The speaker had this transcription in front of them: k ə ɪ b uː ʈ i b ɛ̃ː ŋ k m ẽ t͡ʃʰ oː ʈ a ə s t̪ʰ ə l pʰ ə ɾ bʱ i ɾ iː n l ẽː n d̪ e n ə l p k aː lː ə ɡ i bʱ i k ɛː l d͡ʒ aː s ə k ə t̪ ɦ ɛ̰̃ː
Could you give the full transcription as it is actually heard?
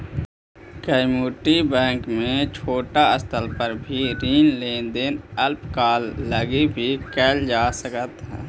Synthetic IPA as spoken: k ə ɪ m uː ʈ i b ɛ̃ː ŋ k m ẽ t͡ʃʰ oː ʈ a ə s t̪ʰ ə l p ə ɾ bʱ i ɾ iː n l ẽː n d̪ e n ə l p k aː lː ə ɡ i bʱ i k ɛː l d͡ʒ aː s ə k ə t̪ ɦ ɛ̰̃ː